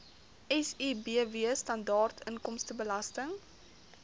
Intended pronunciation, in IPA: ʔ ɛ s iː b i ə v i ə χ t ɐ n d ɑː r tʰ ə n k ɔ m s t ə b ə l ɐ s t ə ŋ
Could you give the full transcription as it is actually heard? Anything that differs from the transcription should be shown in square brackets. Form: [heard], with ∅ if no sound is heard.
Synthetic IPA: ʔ ɛ s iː b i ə v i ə [s] t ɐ n d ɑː r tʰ ə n k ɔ m s t ə b ə l ɐ s t ə ŋ